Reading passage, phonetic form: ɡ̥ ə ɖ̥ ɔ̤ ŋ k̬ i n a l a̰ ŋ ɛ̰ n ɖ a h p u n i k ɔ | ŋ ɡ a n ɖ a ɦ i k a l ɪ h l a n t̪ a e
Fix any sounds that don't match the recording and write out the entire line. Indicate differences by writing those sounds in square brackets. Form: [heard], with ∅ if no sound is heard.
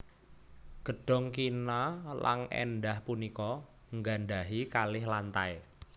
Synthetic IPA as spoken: ɡ̥ ə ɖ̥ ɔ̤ ŋ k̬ i n a l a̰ ŋ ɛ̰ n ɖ a h p u n i k ɔ | ŋ ɡ a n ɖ a ɦ i k a l ɪ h l a n t̪ a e